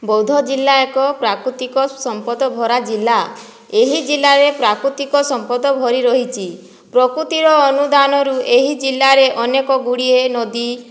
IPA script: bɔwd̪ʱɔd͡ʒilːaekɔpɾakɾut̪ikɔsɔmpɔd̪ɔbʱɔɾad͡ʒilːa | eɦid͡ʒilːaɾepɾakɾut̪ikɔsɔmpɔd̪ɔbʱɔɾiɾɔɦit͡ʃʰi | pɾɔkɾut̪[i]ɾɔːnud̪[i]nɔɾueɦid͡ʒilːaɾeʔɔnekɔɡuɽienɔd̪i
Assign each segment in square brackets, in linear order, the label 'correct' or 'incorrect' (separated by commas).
correct, incorrect